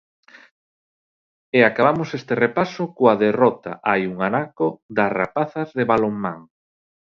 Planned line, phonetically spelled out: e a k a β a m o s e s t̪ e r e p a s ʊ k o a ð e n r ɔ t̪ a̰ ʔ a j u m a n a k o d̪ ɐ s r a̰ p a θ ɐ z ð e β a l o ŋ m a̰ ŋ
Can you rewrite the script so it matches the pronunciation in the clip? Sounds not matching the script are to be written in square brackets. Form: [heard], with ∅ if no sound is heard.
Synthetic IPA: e a k a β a m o s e s t̪ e r e p a s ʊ k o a ð e [∅] r ɔ t̪ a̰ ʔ a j u [ŋ] a n a k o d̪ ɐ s r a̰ p a θ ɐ z ð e β a l o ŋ m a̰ ŋ